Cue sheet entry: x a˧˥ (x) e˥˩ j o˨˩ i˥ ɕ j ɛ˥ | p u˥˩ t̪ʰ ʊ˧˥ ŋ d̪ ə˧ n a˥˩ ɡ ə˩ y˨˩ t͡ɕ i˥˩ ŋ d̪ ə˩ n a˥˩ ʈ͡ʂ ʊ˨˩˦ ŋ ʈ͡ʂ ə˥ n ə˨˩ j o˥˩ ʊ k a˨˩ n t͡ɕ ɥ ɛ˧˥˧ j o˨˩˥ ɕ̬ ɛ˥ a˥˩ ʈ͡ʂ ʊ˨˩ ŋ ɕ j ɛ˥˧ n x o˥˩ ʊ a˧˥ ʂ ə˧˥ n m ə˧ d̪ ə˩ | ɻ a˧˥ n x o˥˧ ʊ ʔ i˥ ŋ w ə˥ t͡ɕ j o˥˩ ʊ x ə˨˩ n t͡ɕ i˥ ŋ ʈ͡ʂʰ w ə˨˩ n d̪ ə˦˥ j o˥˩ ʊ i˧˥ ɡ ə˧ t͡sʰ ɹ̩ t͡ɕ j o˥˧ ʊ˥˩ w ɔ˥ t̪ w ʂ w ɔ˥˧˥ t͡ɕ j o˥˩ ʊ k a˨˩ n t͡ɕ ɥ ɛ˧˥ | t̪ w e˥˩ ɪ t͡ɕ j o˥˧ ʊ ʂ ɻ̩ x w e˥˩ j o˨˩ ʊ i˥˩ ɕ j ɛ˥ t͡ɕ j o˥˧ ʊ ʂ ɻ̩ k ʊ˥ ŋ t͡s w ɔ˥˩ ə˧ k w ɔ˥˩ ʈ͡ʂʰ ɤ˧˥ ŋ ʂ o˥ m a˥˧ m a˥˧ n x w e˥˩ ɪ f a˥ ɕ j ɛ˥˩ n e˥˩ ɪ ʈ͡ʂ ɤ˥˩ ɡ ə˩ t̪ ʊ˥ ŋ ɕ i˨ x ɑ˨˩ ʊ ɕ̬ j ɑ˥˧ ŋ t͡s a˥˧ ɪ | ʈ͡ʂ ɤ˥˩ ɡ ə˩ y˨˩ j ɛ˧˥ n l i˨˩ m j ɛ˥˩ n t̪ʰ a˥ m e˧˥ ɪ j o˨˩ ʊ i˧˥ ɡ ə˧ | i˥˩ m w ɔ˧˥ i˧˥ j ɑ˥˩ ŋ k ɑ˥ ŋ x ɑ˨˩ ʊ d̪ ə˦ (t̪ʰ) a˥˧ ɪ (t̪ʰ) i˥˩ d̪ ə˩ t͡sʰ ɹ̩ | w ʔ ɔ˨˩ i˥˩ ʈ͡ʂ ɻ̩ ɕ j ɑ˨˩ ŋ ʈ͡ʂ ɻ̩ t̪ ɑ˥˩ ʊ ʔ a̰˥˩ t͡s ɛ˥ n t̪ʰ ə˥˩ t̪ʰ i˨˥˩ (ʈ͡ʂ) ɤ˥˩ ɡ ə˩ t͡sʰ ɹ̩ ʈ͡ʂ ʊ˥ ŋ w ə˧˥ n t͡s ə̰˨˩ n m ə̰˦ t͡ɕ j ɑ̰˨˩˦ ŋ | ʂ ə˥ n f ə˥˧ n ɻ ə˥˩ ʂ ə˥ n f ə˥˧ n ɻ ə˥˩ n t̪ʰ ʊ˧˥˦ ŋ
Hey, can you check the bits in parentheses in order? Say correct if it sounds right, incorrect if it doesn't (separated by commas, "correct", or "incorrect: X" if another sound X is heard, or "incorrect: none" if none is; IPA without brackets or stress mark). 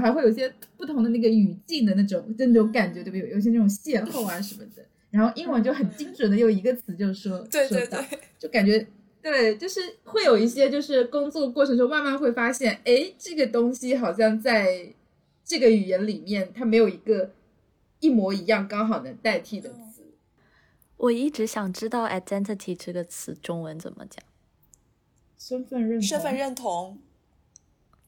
correct, incorrect: t̪, correct, correct